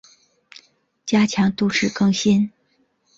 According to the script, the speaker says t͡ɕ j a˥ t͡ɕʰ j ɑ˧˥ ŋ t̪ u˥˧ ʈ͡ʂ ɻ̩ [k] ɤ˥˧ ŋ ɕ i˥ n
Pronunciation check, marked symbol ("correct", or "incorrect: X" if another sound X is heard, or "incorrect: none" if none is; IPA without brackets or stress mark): correct